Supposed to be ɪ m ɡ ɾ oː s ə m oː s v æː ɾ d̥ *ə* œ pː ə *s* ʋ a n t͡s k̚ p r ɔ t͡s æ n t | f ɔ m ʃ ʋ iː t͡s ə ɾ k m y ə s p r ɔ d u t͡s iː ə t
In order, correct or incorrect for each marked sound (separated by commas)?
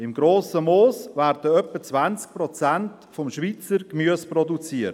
correct, incorrect